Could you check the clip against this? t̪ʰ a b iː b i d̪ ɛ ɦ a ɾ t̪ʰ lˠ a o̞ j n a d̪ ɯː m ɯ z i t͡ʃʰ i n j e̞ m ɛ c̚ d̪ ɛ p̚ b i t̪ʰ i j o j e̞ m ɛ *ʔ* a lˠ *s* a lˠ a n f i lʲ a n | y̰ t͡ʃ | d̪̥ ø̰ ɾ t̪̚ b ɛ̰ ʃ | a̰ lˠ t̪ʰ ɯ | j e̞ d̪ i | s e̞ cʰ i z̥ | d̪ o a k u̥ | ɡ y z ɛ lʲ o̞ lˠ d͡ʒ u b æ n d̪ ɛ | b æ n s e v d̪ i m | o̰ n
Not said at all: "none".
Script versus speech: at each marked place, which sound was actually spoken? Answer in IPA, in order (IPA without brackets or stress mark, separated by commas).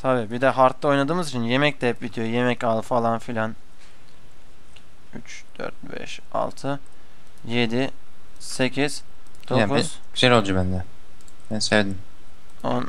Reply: c, f